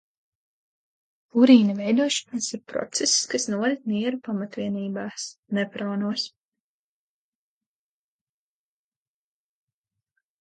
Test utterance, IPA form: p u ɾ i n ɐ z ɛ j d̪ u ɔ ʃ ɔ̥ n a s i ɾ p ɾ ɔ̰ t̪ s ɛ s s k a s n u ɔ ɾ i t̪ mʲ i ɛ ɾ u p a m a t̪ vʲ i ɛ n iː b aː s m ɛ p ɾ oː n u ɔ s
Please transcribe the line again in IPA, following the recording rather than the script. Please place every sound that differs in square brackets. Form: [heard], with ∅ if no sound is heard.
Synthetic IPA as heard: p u ɾ [iː] n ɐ [v] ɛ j d̪ u ɔ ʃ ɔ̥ n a s i ɾ p ɾ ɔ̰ t̪ s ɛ s s k a s n u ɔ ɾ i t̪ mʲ i ɛ ɾ u p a m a t̪ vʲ i ɛ n iː b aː s [n] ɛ p ɾ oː n u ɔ s